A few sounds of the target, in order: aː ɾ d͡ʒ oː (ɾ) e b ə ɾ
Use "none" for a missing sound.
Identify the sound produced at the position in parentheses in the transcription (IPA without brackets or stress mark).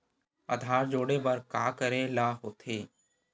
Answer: ɽ